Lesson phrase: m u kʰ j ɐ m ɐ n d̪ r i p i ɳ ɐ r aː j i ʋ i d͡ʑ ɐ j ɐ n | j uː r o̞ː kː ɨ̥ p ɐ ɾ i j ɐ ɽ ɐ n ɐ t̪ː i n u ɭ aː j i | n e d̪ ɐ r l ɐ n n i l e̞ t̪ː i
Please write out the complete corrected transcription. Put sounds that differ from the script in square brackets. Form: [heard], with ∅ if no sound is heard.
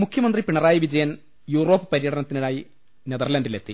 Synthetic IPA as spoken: m u kʰ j ɐ m ɐ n d̪ r i p i ɳ ɐ r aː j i ʋ i d͡ʑ ɐ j ɐ n | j uː r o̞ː [pː] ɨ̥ p ɐ ɾ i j ɐ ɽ ɐ n ɐ t̪ː i n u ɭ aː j i | n e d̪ ɐ r l ɐ n [d] i l e̞ t̪ː i